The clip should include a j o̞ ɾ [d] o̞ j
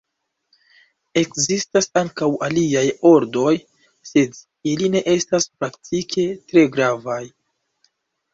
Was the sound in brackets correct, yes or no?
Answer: yes